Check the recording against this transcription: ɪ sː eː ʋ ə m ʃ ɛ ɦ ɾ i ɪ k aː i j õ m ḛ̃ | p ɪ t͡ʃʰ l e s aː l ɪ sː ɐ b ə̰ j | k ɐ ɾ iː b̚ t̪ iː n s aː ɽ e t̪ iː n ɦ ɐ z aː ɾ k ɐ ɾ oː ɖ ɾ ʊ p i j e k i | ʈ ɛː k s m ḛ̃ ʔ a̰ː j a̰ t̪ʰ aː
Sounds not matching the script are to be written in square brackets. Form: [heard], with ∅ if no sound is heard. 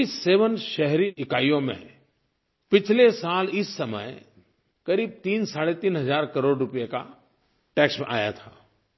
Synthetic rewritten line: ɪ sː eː ʋ ə [n] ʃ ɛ ɦ ɾ i ɪ k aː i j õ m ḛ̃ | p ɪ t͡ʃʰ l e s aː l ɪ sː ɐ [m] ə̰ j | k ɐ ɾ iː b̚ t̪ iː n s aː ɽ e t̪ iː n ɦ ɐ z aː ɾ k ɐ ɾ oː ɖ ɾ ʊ p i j e k [a] | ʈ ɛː k s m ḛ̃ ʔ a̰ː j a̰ t̪ʰ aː